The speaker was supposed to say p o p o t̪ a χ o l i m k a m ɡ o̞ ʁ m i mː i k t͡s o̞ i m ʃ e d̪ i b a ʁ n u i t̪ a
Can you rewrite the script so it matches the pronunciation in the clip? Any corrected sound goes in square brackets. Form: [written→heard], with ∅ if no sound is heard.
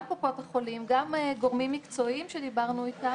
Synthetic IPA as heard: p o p o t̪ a χ o l i m [k→ɡ] a m ɡ o̞ ʁ m i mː i k t͡s o̞ i m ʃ e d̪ i b a ʁ n u i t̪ a

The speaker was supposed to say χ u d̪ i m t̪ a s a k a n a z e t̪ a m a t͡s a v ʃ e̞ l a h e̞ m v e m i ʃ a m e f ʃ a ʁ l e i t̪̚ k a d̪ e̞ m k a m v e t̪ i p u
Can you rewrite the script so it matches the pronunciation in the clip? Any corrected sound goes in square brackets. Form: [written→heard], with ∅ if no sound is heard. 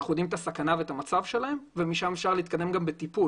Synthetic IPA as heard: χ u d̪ i m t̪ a s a k a n a [z→v] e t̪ a m a t͡s a v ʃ e̞ l a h e̞ m v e m i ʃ a m e f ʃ a ʁ l e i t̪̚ k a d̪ e̞ m [k→ɡ] a m [v→b] e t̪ i p u

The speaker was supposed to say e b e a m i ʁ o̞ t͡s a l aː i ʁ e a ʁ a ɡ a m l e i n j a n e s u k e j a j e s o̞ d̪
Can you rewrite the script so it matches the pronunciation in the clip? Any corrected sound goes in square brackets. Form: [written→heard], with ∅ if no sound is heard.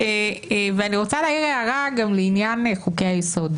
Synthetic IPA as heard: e [b→v] e a [m→n] i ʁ o̞ t͡s a l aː i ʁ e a ʁ a ɡ a m l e i n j a n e [s→χ] u k e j a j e s o̞ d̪

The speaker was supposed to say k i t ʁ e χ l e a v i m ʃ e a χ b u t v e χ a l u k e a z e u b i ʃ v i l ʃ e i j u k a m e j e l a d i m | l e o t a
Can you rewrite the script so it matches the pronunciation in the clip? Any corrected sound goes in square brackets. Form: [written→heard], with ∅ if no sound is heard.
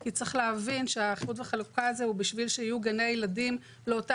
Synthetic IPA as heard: k i [t→t͡s] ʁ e χ l e a v i [m→n] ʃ e a χ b u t v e χ a l u k [e→a] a z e u b i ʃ v i l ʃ e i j u [k→ɡ] a [m→n] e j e l a d i m | l e o t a

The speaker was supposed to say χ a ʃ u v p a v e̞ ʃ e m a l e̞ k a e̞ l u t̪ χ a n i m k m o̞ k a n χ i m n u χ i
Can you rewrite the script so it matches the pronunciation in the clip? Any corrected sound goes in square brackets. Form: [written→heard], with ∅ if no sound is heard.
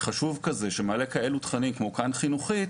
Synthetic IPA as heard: χ a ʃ u v [p→k] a [v→z] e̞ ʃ e m a l e̞ k a e̞ l u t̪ χ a n i m k m o̞ k a n χ i [m→∅] n u χ i

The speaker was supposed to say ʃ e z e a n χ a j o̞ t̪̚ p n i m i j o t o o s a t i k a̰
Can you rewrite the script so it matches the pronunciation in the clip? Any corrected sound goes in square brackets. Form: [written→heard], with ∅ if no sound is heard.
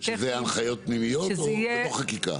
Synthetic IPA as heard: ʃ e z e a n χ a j o̞ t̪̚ p n i m i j o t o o [s→χ] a [t→k] i k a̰

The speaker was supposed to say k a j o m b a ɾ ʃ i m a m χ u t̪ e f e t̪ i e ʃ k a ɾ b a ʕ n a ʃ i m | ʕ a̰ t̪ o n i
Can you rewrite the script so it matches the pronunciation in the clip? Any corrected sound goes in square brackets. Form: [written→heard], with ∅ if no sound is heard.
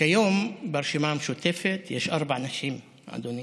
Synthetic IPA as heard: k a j o m b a ɾ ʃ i m a m [χ→ʃ] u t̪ e f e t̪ [i→j] e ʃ [k→ʔ] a ɾ b a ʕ n a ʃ i m | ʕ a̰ [t̪→d̪] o n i

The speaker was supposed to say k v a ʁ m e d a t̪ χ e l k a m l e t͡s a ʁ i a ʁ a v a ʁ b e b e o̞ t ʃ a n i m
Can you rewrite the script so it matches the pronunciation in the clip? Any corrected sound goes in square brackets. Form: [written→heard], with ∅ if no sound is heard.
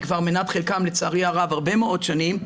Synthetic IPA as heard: k v a ʁ m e [d→n] a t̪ χ e l k a m l e t͡s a ʁ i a ʁ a v a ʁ b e [b→m] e o̞ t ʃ a n i m

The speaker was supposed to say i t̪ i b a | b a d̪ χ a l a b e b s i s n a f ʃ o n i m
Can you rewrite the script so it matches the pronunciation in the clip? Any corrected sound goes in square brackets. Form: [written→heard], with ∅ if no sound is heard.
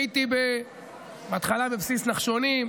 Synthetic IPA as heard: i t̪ i b [a→e] | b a [d̪→t̪] χ a l a b e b s i s n a [f→χ] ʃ o n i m

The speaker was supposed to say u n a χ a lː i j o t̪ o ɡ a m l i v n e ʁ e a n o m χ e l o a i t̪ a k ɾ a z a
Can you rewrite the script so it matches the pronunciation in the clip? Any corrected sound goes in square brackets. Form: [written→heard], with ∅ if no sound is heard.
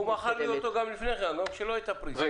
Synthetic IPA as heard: u [n→m] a χ a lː i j o t̪ o ɡ a m l i [v→f] n e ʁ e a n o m [χ→ʃ] e l o a [i→j] t̪ a [k→p] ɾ [a→i] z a

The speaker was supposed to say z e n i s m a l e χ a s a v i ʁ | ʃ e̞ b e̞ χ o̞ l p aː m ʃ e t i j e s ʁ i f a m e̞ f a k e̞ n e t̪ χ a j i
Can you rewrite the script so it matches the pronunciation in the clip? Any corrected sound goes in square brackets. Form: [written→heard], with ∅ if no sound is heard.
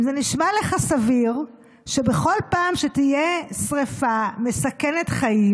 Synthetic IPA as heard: z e n i [s→ʃ] m a l e χ a s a v i ʁ | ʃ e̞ b e̞ χ o̞ l p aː m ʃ e t i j e s ʁ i f a m e̞ [f→s] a k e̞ n e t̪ χ a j i

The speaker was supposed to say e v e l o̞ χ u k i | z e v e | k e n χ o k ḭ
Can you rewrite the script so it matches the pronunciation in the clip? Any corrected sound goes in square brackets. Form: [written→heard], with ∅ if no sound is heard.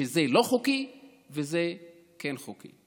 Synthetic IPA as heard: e [v→z] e l o̞ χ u k i | [z→v] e [v→z] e | k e n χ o k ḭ

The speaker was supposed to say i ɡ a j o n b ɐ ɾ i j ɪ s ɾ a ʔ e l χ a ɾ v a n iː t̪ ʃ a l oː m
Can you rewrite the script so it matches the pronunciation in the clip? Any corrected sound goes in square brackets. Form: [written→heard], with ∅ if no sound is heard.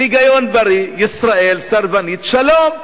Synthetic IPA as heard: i ɡ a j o n b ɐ ɾ i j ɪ s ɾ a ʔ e l [χ→s] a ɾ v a n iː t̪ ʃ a l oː m

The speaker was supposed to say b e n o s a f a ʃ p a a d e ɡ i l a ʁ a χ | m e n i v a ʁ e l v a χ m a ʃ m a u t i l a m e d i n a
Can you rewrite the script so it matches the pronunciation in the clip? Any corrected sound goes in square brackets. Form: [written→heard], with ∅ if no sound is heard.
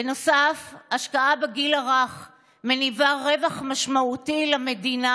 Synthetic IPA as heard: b e n o s a f a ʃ [p→k] a a [d→b] e ɡ i l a ʁ a χ | m e n i v a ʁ e [l→∅] v a χ m a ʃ m a u t i l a m e d i n a

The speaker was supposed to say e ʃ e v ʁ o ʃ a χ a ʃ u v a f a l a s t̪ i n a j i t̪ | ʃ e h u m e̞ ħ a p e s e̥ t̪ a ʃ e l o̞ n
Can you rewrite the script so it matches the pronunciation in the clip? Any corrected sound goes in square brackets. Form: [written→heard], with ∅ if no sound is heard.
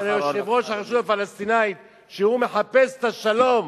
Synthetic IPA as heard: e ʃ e v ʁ o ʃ a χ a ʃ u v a f a l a s t̪ i n a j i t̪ | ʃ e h u m e̞ ħ a p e s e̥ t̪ a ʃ [e→a] l o̞ [n→m]

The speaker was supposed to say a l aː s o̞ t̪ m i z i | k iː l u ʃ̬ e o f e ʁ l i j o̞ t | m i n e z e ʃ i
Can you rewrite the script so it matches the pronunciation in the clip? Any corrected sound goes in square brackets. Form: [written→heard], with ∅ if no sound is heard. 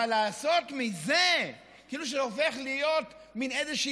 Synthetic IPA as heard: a l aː s o̞ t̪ m i z [i→e] | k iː l u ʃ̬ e o f e [ʁ→χ] l i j o̞ t | m i n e z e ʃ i

